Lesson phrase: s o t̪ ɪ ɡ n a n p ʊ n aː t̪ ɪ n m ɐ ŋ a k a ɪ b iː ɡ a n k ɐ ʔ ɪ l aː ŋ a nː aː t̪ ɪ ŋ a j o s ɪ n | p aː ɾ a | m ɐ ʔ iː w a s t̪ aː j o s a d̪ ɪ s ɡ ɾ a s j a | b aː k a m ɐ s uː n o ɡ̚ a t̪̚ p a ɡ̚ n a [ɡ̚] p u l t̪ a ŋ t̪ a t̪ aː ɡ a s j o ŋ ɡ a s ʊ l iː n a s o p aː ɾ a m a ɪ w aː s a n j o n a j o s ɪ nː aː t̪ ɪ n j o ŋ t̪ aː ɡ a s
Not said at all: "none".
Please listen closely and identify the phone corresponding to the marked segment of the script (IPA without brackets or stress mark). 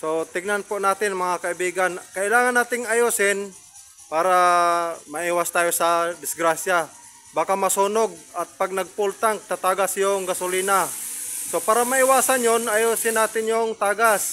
ɡ̚